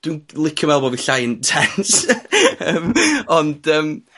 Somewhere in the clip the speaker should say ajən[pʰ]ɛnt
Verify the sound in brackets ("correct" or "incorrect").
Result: incorrect